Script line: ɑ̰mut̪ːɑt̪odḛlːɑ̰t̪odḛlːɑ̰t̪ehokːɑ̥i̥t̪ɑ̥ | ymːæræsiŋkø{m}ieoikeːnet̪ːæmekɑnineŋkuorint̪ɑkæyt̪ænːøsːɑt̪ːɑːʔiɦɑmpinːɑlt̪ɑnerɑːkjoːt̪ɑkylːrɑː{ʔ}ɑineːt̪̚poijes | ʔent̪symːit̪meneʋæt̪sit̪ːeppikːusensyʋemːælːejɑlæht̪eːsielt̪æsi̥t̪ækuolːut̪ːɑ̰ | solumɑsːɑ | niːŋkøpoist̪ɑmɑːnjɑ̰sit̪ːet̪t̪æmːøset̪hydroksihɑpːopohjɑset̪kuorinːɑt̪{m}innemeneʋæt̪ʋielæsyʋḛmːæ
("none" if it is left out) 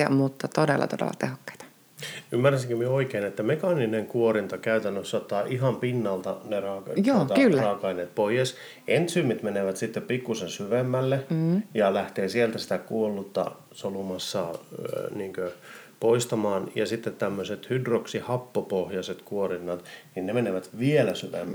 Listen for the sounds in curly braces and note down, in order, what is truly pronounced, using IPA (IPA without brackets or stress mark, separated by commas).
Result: m, k, n